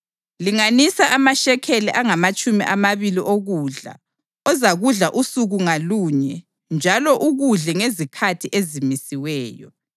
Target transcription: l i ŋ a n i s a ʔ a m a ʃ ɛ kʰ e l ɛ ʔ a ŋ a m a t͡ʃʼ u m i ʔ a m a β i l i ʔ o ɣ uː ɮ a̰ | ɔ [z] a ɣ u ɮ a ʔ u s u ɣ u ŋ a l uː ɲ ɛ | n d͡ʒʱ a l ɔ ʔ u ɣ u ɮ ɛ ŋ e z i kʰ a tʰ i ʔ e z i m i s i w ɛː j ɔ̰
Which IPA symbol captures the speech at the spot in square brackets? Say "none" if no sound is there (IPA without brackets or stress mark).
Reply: z